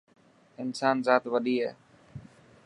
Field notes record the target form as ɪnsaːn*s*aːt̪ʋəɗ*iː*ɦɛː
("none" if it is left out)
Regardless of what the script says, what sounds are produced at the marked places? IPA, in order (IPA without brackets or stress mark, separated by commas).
z, iː